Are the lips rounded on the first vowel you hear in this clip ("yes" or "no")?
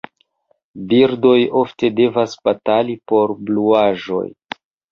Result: no